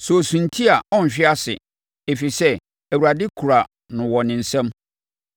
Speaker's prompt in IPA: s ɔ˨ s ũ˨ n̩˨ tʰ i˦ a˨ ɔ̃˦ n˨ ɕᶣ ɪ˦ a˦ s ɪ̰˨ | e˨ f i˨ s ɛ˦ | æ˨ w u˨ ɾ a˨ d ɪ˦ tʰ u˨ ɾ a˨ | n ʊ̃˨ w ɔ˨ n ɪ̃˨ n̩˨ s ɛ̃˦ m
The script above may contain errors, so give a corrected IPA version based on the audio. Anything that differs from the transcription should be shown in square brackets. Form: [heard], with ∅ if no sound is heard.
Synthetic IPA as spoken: s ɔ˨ s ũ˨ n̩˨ tʰ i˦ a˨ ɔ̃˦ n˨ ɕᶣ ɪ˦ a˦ s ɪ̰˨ | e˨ f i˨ s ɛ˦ | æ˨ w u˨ ɾ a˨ d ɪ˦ [kʰ] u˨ ɾ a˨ | n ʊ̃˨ w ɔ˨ n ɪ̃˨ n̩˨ s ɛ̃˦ m